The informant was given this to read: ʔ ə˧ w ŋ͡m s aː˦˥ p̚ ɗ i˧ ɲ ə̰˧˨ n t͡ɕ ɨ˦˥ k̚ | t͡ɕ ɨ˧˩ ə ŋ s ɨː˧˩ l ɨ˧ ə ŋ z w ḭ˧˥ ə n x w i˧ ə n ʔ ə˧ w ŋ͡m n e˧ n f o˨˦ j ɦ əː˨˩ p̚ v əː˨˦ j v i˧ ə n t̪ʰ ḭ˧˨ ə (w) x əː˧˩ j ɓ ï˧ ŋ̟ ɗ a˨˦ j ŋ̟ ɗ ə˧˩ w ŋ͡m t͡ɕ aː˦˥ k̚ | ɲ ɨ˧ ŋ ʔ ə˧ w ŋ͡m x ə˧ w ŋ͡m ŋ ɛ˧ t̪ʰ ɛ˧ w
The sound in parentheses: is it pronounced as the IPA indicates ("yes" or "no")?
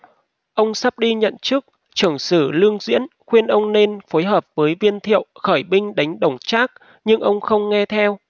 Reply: yes